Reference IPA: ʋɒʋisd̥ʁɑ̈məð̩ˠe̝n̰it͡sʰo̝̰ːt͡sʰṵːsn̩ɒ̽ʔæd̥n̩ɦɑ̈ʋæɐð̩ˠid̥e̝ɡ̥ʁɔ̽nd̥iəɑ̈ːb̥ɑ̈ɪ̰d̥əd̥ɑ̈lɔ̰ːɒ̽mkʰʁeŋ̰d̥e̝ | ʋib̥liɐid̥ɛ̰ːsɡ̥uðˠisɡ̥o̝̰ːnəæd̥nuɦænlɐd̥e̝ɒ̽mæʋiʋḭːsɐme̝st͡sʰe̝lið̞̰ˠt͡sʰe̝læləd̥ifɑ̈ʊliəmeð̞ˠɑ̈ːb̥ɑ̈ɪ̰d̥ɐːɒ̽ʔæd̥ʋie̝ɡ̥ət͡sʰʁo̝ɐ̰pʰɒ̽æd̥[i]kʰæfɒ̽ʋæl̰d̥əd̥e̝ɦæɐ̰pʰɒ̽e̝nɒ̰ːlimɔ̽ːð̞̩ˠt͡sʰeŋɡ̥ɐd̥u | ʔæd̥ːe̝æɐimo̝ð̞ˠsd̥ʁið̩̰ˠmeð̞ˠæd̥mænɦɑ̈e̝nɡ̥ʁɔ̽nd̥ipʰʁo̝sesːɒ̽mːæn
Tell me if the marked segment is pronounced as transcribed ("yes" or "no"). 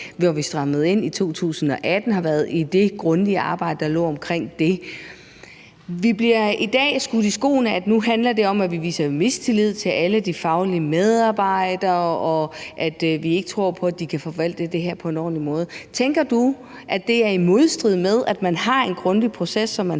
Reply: yes